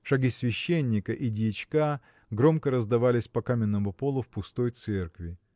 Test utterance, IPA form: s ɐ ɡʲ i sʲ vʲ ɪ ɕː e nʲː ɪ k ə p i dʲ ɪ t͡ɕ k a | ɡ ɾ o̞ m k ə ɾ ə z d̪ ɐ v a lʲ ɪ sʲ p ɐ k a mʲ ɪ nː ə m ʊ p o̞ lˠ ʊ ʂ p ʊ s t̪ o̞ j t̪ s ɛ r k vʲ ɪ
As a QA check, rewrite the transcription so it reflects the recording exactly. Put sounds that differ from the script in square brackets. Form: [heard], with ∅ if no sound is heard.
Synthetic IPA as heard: [ʂ] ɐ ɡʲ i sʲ vʲ ɪ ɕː e nʲː ɪ k ə [ʔ] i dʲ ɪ t͡ɕ k a | ɡ ɾ o̞ m k ə ɾ ə z d̪ ɐ v a lʲ ɪ sʲ p ɐ k a mʲ ɪ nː ə m ʊ p o̞ lˠ ʊ [f] p ʊ s t̪ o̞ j t̪ s ɛ r k vʲ ɪ